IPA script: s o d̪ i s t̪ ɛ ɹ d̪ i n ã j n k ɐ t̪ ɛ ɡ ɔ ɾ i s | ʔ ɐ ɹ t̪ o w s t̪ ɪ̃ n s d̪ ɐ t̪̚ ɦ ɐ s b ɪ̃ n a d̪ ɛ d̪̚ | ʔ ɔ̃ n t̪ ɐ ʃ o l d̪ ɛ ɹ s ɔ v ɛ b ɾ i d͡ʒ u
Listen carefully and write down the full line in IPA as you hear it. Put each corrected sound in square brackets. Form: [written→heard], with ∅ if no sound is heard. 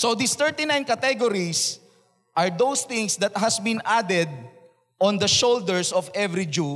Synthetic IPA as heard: s o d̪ i s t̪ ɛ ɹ [d̪→t̪] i n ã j n k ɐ t̪ ɛ ɡ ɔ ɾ i s | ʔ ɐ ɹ [t̪→d̪] o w s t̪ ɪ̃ [n→ŋ] s d̪ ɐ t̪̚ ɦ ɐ s b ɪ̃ n a d̪ ɛ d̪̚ | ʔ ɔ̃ n [t̪→d̪] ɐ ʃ o l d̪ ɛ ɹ s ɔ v ɛ [b→v] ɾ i d͡ʒ u